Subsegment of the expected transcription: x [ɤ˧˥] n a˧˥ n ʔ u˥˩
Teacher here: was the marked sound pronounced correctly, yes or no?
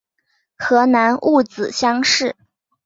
yes